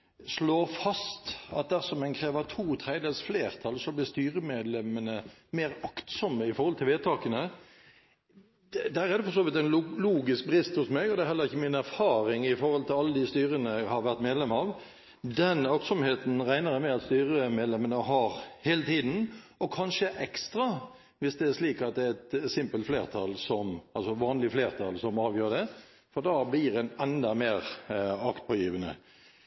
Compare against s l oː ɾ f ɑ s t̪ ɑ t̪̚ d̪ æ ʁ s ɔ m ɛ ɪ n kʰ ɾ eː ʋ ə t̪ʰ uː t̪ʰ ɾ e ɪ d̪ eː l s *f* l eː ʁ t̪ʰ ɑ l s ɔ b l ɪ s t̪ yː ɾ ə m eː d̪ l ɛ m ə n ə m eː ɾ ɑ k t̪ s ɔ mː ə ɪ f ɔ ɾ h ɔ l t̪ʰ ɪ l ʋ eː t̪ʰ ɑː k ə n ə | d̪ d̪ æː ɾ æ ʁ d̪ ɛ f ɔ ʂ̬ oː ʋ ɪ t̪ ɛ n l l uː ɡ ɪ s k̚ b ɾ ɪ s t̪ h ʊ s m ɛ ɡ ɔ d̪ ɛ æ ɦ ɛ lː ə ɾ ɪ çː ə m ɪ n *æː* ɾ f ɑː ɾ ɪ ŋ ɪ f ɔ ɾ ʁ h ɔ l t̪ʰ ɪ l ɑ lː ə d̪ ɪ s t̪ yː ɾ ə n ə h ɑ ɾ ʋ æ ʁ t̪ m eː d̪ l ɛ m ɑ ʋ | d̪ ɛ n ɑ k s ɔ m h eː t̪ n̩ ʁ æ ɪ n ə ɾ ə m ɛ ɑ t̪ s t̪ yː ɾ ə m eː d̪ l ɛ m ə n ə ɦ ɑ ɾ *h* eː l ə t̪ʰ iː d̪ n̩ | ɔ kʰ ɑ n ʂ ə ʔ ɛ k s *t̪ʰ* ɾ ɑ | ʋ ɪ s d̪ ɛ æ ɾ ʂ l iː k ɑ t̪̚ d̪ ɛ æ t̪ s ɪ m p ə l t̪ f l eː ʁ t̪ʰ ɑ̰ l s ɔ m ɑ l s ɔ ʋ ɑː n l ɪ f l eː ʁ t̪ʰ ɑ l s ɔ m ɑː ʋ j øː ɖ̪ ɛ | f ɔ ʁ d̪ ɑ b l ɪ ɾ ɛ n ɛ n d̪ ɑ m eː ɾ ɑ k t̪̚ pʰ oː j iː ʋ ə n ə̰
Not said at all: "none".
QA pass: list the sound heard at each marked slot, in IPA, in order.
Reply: f, æ, h, t̪

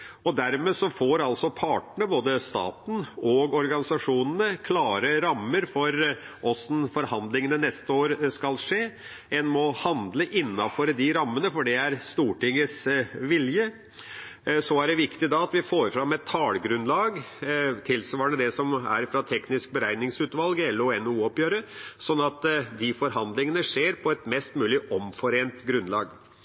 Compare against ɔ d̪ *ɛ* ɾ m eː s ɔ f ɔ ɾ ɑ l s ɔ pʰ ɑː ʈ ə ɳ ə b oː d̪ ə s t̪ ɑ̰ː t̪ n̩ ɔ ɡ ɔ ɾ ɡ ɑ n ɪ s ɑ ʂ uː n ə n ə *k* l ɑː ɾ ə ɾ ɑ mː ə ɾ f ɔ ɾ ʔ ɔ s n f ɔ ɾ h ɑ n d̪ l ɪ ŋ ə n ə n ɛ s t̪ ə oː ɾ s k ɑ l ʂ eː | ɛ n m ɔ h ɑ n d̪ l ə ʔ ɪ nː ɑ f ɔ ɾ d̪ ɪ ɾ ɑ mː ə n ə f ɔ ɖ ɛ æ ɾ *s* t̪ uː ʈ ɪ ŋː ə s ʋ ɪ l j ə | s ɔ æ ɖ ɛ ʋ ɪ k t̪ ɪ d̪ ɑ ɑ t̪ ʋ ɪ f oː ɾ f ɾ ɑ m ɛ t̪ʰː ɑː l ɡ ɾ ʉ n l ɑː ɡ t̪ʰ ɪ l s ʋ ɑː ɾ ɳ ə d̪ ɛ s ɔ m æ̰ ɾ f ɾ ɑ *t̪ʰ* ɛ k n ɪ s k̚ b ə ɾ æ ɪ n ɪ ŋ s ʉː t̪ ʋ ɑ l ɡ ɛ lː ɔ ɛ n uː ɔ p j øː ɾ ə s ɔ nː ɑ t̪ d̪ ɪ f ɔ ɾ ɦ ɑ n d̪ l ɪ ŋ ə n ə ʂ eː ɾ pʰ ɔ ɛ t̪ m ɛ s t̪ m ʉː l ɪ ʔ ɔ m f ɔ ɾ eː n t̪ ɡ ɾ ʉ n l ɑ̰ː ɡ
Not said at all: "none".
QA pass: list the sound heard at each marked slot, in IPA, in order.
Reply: æ, kʰ, s, t̪ʰ

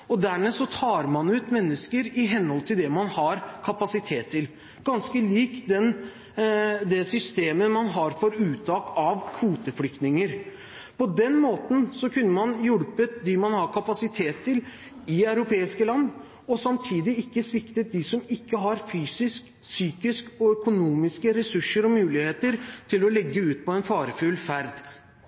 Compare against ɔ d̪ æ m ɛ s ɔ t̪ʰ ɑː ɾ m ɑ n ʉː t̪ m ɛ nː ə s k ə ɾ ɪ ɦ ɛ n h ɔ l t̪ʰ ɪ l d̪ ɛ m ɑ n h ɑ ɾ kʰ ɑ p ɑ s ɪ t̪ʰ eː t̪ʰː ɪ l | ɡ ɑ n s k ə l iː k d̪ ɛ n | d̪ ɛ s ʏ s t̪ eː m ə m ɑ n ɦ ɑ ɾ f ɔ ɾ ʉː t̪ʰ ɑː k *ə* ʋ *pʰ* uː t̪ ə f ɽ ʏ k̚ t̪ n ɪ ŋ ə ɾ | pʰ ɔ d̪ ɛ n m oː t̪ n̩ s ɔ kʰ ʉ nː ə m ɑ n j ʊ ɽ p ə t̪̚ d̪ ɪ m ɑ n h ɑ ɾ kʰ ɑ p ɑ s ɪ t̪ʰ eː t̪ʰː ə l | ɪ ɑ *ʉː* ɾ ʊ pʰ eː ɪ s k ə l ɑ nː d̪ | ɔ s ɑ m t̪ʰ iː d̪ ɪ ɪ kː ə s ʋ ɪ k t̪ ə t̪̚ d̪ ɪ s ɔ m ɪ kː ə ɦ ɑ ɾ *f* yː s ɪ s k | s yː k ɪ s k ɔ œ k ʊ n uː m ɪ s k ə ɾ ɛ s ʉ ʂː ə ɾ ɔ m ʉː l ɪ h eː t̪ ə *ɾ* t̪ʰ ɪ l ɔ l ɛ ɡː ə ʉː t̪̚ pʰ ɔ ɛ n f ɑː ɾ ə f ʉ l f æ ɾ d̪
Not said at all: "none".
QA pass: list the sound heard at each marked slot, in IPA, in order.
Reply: ɑ, kʰ, ʉ, f, ɾ

